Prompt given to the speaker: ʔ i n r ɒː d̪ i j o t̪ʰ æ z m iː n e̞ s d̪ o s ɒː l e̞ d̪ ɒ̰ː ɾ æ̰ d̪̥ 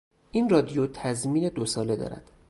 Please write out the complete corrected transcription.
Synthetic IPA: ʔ i n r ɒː d̪ i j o t̪ʰ æ z m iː n e̞ d̪ o s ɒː l e̞ d̪ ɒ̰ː ɾ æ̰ d̪̥